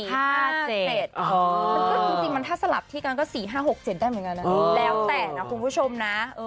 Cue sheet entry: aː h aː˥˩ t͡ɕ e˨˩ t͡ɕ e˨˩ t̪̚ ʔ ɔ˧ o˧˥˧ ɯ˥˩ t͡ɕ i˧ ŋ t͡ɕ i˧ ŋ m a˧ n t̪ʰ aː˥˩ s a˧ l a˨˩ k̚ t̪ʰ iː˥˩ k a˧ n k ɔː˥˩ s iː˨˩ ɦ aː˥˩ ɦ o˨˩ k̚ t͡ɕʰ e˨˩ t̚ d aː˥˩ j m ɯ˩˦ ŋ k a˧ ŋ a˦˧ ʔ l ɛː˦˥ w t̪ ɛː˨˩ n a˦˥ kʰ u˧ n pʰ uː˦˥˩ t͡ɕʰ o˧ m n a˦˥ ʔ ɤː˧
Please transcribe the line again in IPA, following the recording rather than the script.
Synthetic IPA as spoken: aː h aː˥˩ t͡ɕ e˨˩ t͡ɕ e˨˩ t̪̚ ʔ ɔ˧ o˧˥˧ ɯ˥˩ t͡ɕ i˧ ŋ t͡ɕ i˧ ŋ m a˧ n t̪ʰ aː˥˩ s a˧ l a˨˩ p̚ t̪ʰ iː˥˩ k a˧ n k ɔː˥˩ s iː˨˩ ɦ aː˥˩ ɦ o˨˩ k̚ t͡ɕ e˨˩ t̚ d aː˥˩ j m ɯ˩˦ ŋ k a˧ n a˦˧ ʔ l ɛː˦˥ w t̪ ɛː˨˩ n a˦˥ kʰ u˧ n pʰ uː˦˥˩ t͡ɕʰ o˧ m n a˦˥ ʔ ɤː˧